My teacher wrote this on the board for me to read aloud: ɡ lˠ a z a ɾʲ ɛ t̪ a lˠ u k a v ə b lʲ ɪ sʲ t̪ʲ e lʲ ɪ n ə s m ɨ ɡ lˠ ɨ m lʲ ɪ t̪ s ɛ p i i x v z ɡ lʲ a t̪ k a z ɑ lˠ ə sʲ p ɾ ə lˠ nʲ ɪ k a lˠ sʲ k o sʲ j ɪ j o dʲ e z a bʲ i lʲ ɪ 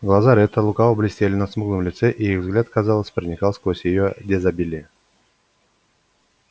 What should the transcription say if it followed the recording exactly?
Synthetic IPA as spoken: ɡ lˠ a z a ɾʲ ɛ t̪ ə lˠ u k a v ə b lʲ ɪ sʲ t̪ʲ e lʲ ɪ n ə s m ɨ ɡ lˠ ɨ m lʲ ɪ t̪ s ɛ ʔ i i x v z ɡ lʲ a t̪ k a z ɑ lˠ ə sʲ p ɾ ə nʲ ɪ k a lˠ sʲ k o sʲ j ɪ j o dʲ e z a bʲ i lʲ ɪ